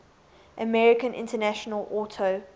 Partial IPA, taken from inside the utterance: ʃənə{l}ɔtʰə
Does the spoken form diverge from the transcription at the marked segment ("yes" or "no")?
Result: no